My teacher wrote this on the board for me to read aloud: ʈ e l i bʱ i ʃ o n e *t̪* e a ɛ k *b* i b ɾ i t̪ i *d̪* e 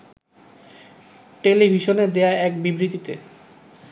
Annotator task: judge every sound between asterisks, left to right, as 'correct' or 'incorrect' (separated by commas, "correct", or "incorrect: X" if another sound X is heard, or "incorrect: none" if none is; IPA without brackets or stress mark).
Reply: incorrect: d̪, correct, incorrect: t̪